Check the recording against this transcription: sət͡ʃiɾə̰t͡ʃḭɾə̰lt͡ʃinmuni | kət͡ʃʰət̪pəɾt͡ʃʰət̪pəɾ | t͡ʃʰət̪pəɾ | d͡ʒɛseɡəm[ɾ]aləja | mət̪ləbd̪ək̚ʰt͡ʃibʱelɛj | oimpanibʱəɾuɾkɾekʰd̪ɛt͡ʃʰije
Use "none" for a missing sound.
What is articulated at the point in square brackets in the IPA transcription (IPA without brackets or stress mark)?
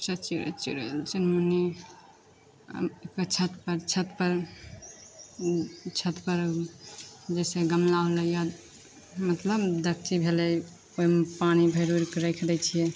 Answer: l